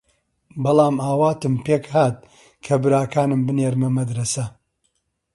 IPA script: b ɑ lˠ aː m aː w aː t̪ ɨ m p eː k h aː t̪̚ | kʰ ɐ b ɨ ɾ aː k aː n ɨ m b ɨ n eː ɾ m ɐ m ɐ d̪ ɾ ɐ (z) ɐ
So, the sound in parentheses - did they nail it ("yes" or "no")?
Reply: no